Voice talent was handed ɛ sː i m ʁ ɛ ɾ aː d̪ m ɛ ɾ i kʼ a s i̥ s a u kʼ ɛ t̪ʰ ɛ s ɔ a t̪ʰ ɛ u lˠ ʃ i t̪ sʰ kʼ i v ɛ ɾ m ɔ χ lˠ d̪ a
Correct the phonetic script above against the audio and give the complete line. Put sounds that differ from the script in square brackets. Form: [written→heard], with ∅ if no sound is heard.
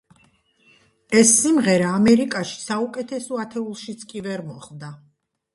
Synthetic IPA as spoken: ɛ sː i m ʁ ɛ ɾ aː [d̪→∅] m ɛ ɾ i kʼ a [s→ʃ] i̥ s a u kʼ ɛ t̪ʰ ɛ s ɔ a t̪ʰ ɛ u lˠ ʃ i t̪ sʰ kʼ i v ɛ ɾ m ɔ χ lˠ d̪ a